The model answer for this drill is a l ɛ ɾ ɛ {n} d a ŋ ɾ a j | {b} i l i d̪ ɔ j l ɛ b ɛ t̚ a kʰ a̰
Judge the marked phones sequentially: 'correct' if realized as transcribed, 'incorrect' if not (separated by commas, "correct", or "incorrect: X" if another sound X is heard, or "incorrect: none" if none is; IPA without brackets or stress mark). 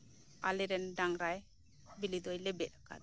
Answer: correct, correct